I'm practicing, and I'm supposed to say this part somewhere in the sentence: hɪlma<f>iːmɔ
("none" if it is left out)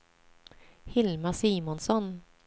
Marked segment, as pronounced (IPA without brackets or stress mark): s